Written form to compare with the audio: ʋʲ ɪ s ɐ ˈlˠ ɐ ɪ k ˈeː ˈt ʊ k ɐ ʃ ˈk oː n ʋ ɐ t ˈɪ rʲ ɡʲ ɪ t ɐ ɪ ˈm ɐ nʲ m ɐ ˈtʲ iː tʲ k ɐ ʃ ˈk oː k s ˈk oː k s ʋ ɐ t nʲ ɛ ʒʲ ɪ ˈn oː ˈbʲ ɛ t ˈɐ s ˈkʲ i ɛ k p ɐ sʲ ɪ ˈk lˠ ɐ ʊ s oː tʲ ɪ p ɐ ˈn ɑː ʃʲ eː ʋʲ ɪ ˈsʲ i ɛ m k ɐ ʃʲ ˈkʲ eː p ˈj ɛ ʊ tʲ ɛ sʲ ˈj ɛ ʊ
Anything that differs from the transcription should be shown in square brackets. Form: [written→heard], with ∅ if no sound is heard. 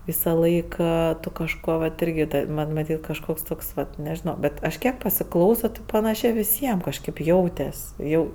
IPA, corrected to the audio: ʋʲ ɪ s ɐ ˈlˠ ɐ ɪ k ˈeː ˈt ʊ k ɐ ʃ ˈk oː [n→∅] ʋ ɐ t ˈɪ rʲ ɡʲ ɪ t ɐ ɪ ˈm ɐ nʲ m ɐ ˈtʲ iː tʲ k ɐ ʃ ˈk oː k s [ˈk→ˈt] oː k s ʋ ɐ t nʲ ɛ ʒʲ ɪ ˈn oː ˈbʲ ɛ t ˈɐ [s→ʃ] ˈkʲ i ɛ k p ɐ sʲ ɪ ˈk lˠ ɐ ʊ s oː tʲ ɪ p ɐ ˈn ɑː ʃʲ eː ʋʲ ɪ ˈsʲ i ɛ m k ɐ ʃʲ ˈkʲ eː p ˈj ɛ ʊ tʲ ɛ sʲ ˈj ɛ ʊ

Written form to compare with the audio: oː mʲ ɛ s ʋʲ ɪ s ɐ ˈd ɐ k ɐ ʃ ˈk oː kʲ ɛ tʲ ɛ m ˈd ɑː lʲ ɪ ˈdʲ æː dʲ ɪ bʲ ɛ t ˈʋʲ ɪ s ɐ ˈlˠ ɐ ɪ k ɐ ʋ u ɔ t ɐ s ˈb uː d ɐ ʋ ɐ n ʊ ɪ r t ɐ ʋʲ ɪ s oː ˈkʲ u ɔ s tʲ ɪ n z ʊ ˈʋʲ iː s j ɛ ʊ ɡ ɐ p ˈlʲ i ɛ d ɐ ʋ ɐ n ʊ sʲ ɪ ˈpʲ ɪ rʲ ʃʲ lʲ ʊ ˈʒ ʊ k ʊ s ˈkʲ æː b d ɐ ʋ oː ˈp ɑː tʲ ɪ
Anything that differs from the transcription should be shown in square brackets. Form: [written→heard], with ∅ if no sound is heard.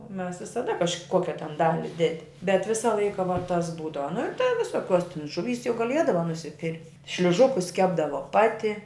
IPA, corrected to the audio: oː mʲ ɛ s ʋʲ ɪ s ɐ ˈd ɐ k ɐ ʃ ˈk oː kʲ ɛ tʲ ɛ [m→n] ˈd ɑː lʲ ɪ ˈdʲ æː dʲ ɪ bʲ ɛ t ˈʋʲ ɪ s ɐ ˈlˠ ɐ ɪ k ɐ ʋ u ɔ t ɐ s ˈb uː d ɐ ʋ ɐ n ʊ ɪ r t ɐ ʋʲ ɪ s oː ˈkʲ u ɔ s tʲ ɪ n [z→ʒ] ʊ ˈʋʲ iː s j ɛ ʊ ɡ ɐ [p→∅] ˈlʲ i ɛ d ɐ ʋ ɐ n ʊ sʲ ɪ ˈpʲ ɪ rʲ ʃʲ lʲ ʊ ˈʒ ʊ k ʊ s ˈkʲ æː b d ɐ ʋ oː ˈp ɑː tʲ ɪ

